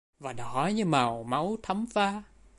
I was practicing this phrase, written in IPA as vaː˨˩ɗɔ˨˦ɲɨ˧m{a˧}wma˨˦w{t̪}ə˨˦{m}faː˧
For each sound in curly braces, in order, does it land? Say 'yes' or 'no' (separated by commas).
no, no, yes